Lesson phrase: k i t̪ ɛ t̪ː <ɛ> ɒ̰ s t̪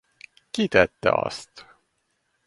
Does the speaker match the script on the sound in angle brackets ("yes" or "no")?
yes